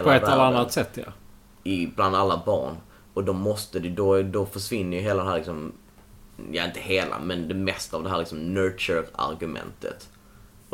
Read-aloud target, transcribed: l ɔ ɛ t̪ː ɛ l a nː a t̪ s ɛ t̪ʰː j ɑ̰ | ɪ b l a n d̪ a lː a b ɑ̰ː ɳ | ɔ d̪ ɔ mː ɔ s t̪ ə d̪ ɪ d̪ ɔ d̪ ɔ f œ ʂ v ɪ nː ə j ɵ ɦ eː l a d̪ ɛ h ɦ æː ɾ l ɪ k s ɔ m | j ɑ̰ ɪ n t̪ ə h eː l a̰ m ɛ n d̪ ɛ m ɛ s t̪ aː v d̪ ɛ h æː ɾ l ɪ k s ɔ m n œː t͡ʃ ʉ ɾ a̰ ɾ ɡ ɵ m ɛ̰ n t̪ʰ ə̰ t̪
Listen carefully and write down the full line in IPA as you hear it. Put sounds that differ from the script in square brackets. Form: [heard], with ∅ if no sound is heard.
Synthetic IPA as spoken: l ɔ ɛ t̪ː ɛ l a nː a t̪ s ɛ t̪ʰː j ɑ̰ | ɪ b l a n d̪ a lː a b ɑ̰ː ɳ | ɔ d̪ ɔ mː ɔ s t̪ ə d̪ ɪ d̪ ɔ d̪ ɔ f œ ʂ v ɪ nː ə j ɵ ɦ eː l a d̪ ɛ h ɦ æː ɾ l ɪ k s ɔ m | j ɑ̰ ɪ n t̪ ə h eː l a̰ m ɛ n d̪ ɛ m ɛ s t̪ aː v d̪ ɛ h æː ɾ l ɪ k s ɔ m n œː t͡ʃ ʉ ɾ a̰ ɾ ɡ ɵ m ɛ̰ n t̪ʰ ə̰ t̪